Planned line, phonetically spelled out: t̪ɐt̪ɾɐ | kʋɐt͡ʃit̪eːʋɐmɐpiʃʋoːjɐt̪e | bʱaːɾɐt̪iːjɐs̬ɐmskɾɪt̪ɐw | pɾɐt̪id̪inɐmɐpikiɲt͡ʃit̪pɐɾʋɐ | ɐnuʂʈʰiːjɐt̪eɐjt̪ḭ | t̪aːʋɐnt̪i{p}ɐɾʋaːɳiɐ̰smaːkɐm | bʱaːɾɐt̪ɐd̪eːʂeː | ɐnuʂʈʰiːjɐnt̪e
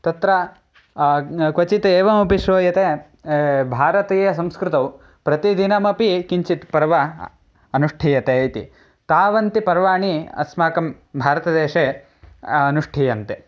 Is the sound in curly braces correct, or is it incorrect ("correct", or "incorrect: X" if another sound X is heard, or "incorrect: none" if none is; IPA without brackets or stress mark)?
correct